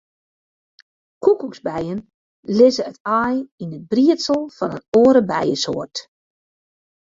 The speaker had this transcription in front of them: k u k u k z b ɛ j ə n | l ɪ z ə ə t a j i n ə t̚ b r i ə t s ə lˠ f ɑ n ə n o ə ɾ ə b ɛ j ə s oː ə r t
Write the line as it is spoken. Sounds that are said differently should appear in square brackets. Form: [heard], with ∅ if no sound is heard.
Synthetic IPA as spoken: k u k u k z b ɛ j ə n | l ɪ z ə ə t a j i n ə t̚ b r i ə t s ə lˠ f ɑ n ə n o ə ɾ ə b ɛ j ə s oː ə r t

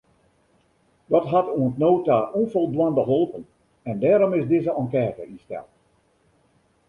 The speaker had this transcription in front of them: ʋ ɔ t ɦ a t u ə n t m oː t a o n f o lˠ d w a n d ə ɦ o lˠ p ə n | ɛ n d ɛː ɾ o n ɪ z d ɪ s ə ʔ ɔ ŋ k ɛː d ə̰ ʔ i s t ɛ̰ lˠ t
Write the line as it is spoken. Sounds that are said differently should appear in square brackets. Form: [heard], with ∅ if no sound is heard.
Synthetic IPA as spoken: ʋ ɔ t ɦ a t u ə n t [n] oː t a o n f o lˠ d w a n d ə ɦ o lˠ p ə n | ɛ n d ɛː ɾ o [m] ɪ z d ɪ [z] ə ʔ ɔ ŋ k ɛː [t] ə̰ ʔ i s t ɛ̰ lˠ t

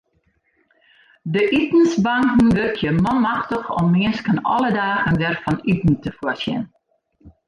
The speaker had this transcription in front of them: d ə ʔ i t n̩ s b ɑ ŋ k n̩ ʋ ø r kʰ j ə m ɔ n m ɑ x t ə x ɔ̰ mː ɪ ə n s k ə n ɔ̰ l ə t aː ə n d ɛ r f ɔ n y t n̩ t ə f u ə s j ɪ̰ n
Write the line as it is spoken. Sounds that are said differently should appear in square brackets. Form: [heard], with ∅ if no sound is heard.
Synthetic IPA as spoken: d ə ʔ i t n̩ s b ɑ ŋ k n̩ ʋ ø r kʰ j ə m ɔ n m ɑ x t ə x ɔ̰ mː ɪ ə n s k ə n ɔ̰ l ə [d] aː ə n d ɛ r f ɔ n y t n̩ t ə f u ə s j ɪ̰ n

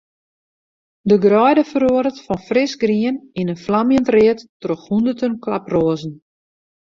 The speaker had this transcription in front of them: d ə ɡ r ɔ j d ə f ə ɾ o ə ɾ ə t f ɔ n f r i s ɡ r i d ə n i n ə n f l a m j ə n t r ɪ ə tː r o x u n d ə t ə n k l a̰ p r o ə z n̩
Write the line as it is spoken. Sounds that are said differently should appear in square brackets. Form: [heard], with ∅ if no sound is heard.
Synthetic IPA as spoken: d ə ɡ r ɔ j d ə f ə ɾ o ə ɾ ə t f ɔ n f r [ɪ] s ɡ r i [∅] ə n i n ə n f l a m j ə n t r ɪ ə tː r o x u n d ə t ə n k l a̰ p r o ə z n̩

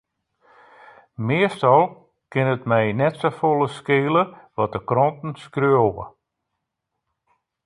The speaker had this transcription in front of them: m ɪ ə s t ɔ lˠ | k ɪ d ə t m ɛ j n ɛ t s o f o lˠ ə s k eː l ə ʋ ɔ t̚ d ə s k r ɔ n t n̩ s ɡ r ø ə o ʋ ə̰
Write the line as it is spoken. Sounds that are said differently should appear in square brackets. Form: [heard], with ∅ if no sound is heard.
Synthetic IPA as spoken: m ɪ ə s t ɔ lˠ | k ɪ [n] ə t m ɛ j n ɛ t s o f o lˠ ə s k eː l ə ʋ ɔ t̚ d ə [∅] k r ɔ n t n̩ s [k] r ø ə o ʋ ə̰

